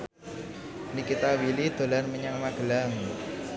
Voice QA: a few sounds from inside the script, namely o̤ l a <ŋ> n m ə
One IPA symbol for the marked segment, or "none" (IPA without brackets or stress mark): none